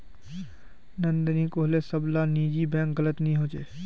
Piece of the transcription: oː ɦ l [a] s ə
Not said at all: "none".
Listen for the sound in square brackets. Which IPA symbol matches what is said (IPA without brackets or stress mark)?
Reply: e